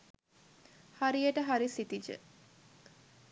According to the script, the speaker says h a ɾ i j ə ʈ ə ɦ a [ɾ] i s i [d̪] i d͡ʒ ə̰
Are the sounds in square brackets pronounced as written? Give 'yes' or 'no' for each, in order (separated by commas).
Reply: yes, no